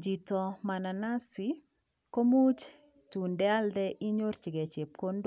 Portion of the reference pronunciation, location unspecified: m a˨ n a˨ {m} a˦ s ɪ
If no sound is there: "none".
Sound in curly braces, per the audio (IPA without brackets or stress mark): n